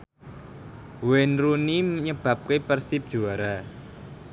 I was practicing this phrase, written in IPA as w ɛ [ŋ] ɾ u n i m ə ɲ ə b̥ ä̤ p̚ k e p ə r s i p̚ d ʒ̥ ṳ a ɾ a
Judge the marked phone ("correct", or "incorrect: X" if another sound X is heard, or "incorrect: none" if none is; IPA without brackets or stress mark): incorrect: n